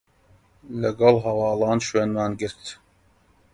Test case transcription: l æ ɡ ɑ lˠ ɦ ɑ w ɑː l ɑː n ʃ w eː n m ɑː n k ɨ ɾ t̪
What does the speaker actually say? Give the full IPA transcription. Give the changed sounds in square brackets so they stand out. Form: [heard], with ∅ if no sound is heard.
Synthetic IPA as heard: l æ ɡ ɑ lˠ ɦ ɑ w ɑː l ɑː n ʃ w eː n m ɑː n [ɡ] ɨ ɾ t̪